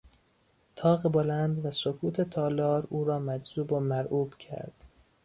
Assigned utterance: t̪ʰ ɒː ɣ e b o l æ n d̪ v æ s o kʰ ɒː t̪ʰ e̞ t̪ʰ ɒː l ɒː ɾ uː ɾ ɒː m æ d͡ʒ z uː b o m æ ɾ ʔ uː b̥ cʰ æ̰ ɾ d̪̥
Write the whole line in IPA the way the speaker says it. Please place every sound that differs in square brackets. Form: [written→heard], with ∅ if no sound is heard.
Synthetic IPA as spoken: t̪ʰ ɒː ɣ e b o l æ n d̪ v æ s o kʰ [ɒː→uː] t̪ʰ e̞ t̪ʰ ɒː l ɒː ɾ uː ɾ ɒː m æ d͡ʒ z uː b o m æ ɾ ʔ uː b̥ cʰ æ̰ ɾ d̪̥